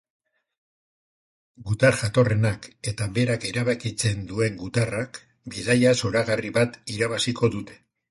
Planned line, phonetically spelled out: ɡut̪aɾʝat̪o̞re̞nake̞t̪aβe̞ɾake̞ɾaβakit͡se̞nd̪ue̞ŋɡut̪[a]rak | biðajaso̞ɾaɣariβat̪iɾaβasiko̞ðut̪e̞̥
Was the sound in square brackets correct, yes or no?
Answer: yes